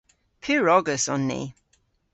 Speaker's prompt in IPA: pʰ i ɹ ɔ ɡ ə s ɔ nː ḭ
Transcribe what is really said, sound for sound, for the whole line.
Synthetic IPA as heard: pʰ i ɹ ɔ ɡ ə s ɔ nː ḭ